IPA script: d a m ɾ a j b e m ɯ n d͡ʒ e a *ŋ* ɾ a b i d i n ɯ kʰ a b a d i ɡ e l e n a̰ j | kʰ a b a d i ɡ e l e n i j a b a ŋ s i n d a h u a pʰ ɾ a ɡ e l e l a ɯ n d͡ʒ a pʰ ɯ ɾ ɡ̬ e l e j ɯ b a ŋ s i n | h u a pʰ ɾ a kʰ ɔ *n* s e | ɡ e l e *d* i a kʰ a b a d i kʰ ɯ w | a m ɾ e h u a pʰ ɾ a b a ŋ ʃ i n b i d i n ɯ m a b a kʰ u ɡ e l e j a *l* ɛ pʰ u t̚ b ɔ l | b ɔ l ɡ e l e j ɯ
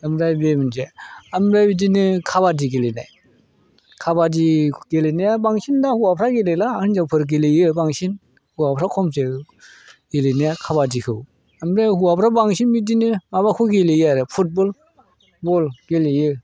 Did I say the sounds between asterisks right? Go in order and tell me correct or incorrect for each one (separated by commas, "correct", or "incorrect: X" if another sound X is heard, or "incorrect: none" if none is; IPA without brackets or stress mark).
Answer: incorrect: m, incorrect: m, incorrect: n, incorrect: ɾ